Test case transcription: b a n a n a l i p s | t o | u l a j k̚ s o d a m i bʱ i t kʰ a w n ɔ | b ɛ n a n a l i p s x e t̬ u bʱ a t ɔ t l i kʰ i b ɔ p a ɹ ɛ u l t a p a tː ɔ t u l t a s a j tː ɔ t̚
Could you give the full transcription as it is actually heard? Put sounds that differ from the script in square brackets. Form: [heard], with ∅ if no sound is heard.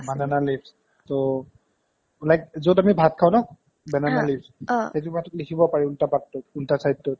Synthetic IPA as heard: b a n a n a l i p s | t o | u l a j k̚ [z] o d a m i bʱ [a] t kʰ a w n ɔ | b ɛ n a n a l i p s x e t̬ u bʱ a t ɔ t l i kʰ i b ɔ p a ɹ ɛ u l t a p a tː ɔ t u l t a s a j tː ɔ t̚